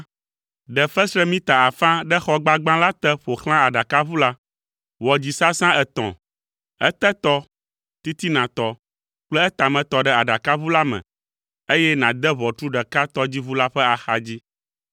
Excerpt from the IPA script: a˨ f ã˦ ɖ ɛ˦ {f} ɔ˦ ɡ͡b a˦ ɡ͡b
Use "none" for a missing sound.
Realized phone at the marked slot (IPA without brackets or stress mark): x